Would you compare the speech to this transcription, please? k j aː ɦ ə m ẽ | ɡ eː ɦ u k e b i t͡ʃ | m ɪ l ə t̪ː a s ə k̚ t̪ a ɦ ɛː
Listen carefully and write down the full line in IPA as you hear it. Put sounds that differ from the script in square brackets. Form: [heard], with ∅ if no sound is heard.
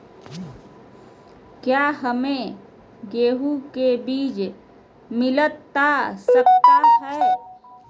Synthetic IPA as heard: k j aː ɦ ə m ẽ | ɡ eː ɦ u k e b [iː] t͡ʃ | m ɪ l ə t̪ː a s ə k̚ t̪ a ɦ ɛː